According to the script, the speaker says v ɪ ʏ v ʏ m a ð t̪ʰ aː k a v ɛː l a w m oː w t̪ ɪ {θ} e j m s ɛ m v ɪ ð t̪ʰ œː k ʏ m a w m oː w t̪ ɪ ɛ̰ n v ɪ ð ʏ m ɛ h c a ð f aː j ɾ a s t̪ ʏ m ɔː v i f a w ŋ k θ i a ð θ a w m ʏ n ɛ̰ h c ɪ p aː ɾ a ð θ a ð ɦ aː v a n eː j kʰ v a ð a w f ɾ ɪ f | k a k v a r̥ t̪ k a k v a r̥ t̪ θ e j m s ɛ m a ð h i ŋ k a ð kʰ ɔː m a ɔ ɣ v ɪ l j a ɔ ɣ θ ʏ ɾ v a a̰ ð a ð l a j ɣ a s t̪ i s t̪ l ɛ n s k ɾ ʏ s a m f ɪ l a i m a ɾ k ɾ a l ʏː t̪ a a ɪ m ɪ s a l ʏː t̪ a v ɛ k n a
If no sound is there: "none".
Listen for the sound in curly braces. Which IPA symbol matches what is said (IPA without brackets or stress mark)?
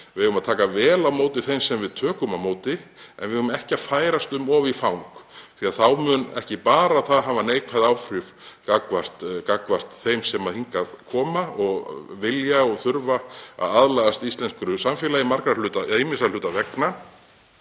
θ